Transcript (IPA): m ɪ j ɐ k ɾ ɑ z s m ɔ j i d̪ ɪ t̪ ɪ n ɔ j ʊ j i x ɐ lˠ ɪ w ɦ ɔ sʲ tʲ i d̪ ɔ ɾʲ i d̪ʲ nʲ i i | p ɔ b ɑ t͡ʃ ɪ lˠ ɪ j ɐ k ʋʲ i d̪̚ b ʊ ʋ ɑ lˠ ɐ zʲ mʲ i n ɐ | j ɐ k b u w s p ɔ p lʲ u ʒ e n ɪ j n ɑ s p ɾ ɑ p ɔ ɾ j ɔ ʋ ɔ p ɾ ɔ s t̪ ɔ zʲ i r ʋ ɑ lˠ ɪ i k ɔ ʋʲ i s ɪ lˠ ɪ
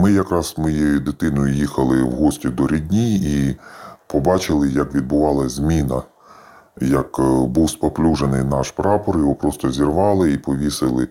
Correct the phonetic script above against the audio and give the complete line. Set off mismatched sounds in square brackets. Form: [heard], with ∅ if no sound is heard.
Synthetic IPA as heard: m ɪ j ɐ k ɾ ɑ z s m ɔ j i d̪ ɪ t̪ ɪ n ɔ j ʊ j i x ɐ lˠ ɪ w ɦ ɔ sʲ tʲ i d̪ ɔ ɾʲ i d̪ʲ nʲ i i | p ɔ b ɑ t͡ʃ ɪ lˠ ɪ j ɐ k ʋʲ i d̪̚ b ʊ ʋ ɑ lˠ ɐ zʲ mʲ i n ɐ | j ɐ k b u w s p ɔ p lʲ u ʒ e n ɪ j n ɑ [ʃ] p ɾ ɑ p ɔ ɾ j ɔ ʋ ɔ p ɾ ɔ s t̪ ɔ zʲ i r ʋ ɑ lˠ ɪ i [p] ɔ ʋʲ i s ɪ lˠ ɪ